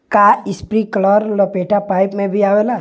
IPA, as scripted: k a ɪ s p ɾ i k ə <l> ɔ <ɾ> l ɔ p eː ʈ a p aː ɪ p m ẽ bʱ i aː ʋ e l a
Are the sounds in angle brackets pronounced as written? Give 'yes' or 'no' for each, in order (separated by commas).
yes, yes